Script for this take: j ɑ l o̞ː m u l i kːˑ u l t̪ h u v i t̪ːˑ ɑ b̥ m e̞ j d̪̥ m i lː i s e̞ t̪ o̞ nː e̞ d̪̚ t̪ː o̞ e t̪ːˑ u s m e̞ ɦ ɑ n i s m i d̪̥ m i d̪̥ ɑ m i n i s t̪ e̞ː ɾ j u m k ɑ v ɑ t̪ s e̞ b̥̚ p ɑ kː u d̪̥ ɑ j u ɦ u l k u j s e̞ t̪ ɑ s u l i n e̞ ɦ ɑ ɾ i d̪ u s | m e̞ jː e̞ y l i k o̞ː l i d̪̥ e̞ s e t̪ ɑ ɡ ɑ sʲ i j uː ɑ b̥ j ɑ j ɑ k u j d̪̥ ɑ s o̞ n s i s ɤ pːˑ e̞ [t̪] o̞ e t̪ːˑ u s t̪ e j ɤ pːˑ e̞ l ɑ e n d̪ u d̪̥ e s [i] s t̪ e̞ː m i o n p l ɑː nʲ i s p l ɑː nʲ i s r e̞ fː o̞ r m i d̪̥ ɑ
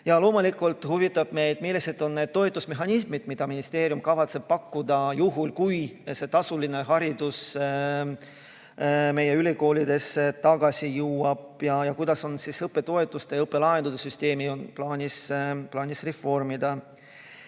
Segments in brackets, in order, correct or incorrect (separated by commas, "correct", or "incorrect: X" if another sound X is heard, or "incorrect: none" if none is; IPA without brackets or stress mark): correct, incorrect: y